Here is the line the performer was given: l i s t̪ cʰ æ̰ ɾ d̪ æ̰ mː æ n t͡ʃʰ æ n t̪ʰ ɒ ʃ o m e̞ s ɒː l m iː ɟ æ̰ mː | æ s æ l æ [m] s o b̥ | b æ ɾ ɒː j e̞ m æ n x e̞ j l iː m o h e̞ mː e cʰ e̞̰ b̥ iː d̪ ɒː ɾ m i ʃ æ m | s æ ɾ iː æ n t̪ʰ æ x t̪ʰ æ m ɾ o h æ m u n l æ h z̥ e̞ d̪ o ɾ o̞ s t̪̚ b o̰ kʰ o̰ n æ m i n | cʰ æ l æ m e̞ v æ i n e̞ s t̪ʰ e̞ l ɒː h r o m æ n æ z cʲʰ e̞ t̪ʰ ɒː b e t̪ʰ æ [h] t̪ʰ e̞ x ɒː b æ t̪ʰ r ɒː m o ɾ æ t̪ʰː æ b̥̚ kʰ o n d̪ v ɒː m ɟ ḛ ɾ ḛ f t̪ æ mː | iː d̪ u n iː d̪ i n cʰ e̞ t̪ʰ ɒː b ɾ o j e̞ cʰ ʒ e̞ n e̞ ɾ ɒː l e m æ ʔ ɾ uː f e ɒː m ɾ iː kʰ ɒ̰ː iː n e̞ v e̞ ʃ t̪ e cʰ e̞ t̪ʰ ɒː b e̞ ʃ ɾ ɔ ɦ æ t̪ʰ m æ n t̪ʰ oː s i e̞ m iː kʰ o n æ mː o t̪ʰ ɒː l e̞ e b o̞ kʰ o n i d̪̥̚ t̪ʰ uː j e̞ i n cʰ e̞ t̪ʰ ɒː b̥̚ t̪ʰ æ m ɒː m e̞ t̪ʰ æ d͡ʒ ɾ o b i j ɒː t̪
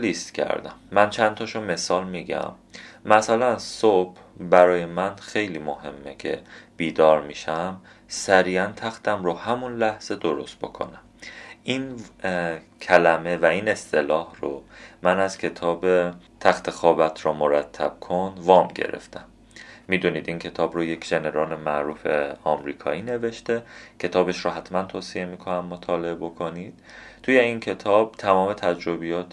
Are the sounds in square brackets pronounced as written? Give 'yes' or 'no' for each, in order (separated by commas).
no, no